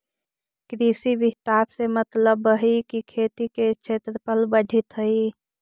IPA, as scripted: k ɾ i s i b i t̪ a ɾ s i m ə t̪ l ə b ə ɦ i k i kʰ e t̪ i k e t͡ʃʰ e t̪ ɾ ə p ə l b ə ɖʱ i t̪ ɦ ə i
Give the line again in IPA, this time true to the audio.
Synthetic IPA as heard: k ɾ i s i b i t̪ a ɾ s e m ə t̪ l ə b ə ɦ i k i kʰ e t̪ i k e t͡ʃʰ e t̪ ɾ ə p ə l b ə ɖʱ i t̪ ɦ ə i